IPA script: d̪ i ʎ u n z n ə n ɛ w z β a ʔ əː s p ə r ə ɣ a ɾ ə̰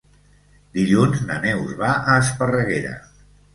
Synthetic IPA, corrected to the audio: d̪ i ʎ u n z n ə n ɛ w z β a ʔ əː s p ə r ə ɣ e ɾ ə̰